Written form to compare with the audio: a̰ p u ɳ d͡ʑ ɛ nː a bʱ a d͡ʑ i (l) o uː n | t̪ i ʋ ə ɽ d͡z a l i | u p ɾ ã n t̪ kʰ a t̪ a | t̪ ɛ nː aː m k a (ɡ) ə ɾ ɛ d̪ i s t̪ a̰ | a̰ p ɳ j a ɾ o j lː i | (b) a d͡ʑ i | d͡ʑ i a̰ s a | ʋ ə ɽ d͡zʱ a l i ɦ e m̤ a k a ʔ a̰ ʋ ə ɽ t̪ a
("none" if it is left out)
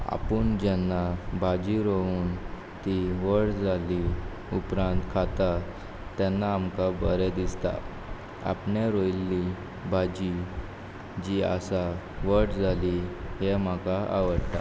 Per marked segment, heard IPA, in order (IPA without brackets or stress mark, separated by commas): ɾ, b, b